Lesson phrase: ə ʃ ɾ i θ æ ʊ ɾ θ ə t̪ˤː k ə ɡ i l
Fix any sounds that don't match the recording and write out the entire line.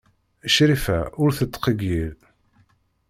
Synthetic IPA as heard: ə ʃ ɾ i f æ ʊ ɾ θ ə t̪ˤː q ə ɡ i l